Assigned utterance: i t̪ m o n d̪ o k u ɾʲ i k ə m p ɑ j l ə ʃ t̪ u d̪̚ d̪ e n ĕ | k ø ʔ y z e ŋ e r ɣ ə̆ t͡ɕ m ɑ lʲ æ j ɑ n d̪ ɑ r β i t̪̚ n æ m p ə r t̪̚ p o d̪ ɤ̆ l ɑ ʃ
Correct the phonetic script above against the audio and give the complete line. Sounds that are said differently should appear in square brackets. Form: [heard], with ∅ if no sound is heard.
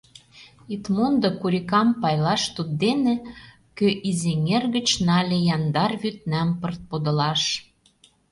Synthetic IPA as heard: i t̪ m o n d̪ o k u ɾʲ i k [ɑ] m p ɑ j l [ɑ] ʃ t̪ u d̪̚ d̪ e n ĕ | k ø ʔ [i] z e ŋ e r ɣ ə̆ t͡ɕ [n] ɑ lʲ [e] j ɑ n d̪ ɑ r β [y] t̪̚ n æ m p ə r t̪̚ p o d̪ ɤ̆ l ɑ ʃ

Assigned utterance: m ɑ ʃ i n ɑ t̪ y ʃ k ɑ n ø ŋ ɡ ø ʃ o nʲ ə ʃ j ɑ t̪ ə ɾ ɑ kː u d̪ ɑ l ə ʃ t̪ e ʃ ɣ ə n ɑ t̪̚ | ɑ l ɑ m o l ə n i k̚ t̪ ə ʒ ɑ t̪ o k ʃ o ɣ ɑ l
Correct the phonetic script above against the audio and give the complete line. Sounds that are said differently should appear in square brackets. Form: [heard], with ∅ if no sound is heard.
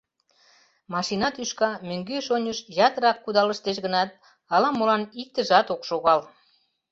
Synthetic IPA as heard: m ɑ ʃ i n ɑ t̪ y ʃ k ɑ [m] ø ŋ ɡ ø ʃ o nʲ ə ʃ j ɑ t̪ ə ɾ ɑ kː u d̪ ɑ l ə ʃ t̪ e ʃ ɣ ə n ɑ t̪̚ | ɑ l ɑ m o l [ɑ] n i k̚ t̪ ə ʒ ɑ t̪ o k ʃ o ɣ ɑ l

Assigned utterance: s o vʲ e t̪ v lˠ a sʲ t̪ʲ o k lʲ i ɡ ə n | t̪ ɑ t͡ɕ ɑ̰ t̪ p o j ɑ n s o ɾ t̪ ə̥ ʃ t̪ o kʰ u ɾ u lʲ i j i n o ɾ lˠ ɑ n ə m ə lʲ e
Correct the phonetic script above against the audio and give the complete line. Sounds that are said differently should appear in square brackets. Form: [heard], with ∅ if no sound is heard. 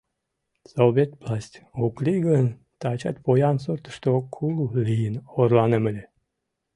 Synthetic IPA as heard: s o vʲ e t̪ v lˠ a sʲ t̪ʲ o k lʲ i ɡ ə n | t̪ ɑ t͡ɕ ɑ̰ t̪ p o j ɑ n s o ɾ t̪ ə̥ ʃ t̪ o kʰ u [l] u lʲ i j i n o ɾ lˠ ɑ n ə m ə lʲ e

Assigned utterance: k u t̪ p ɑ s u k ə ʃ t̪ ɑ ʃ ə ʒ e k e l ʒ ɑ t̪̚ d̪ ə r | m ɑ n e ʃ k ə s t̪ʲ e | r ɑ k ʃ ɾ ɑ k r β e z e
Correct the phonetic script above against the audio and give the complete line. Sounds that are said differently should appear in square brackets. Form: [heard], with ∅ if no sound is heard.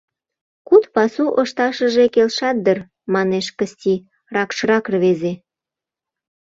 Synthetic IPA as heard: k u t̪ p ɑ s u [ʔ] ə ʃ t̪ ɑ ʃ ə ʒ e k e l [ʃ] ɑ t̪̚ d̪ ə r | m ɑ n e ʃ k ə s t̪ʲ [i] | r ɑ k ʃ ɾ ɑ k r β e z e

